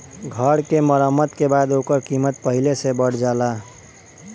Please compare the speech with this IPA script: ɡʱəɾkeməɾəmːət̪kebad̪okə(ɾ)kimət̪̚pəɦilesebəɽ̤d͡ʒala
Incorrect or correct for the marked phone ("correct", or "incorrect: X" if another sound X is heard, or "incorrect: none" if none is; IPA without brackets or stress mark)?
correct